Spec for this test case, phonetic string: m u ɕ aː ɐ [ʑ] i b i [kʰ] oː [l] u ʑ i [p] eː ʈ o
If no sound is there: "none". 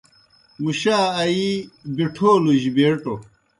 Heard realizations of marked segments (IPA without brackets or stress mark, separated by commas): none, ʈʰ, l, b